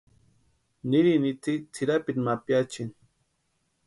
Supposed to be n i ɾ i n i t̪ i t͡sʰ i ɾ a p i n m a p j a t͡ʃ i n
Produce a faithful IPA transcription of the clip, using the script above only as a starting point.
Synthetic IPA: n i ɾ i n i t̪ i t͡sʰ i ɾ a p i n m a p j a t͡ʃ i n